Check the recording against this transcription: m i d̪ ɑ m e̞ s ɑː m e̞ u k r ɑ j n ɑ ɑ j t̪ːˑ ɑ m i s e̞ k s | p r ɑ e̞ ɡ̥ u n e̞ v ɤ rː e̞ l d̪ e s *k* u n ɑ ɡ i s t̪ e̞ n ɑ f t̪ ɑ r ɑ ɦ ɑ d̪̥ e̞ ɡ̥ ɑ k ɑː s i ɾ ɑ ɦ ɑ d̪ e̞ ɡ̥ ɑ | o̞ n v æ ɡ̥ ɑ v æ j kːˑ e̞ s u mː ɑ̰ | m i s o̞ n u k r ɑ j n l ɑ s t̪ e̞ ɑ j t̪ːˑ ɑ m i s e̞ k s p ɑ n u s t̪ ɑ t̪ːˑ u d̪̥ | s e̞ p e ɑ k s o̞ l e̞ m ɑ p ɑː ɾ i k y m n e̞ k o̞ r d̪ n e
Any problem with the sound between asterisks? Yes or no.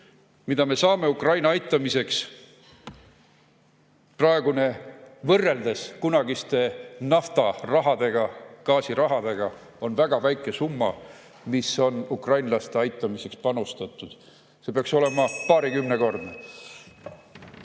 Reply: no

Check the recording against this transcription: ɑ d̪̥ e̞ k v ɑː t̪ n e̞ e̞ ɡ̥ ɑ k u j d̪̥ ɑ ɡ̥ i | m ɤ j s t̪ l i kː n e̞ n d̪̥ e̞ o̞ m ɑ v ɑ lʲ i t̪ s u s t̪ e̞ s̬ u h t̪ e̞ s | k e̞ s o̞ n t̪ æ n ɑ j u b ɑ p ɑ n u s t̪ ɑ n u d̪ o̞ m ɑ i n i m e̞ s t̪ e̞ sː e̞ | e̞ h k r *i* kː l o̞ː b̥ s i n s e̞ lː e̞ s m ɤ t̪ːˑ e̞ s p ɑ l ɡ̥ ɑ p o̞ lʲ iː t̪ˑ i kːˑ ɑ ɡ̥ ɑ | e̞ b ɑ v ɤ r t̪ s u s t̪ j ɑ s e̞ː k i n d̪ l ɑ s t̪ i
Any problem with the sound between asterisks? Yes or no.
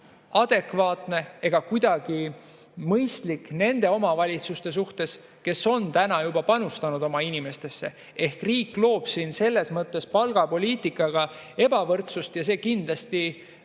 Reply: yes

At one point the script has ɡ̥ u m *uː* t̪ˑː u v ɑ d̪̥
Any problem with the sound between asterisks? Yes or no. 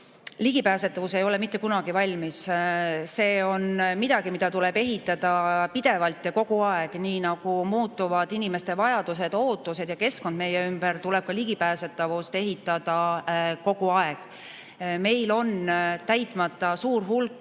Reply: no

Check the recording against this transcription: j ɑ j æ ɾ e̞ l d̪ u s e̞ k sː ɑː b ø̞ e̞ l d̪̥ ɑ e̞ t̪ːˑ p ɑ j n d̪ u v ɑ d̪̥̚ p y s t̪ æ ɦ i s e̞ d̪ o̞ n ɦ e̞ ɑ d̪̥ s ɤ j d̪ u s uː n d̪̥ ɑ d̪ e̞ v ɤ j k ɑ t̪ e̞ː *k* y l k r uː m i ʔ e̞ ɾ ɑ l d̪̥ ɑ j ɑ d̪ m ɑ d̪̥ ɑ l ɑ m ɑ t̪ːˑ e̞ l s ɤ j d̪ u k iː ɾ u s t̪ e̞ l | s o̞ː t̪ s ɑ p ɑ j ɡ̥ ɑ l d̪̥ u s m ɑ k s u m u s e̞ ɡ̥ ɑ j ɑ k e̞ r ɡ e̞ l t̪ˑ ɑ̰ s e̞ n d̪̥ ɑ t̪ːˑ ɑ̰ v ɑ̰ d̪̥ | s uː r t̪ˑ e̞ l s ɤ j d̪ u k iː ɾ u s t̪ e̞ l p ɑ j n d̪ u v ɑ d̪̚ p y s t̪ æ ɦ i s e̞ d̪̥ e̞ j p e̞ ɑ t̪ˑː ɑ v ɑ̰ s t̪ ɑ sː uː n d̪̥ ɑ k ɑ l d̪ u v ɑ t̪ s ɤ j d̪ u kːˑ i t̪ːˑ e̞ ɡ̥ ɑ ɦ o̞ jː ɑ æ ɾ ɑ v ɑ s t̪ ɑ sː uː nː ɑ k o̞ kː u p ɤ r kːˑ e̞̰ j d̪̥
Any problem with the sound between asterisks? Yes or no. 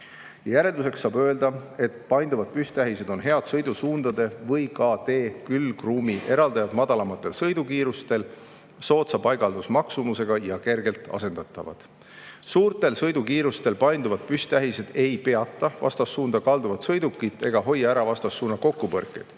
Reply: no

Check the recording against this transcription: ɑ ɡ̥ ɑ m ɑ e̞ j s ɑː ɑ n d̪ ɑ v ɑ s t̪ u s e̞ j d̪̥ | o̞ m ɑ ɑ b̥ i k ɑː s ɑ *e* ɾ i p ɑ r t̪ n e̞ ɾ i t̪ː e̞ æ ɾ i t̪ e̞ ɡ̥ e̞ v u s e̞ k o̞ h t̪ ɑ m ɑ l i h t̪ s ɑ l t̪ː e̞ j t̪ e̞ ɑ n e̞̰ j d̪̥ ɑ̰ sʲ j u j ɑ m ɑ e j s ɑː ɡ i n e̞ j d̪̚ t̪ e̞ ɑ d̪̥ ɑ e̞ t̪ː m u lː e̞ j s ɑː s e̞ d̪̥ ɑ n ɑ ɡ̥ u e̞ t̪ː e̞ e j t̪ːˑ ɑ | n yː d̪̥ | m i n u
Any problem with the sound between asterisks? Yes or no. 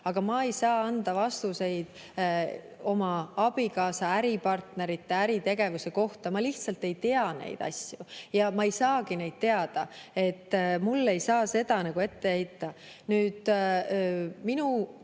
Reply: yes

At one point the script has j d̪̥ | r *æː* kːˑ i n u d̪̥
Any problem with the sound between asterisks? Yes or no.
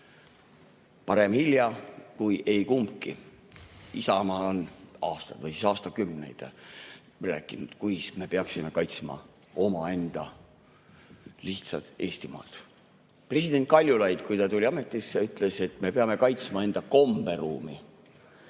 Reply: no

